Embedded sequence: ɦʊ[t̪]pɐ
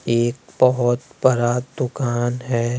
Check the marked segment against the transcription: correct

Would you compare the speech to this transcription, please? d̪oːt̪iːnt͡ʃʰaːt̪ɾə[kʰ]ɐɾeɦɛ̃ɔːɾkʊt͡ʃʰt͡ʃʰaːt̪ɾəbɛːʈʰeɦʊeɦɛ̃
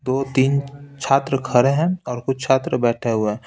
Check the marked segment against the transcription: correct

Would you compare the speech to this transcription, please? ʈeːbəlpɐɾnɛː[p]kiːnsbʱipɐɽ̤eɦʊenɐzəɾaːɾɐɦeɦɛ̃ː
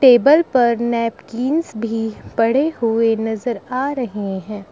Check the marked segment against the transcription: correct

